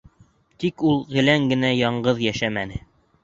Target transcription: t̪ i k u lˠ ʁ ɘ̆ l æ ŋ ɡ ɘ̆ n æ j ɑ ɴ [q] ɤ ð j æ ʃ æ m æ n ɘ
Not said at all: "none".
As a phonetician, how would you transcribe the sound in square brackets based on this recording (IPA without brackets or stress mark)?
ɢ